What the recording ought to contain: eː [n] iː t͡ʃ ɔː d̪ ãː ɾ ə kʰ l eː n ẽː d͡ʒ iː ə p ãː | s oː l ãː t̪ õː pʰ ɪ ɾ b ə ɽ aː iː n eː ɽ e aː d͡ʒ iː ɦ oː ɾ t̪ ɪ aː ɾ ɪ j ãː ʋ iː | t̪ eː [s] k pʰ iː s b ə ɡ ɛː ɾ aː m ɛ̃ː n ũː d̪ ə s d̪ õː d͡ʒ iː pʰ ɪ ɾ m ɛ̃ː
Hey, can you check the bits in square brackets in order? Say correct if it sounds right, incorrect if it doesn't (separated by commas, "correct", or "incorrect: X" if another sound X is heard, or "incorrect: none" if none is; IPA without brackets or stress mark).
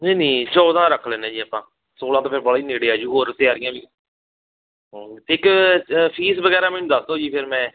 correct, incorrect: none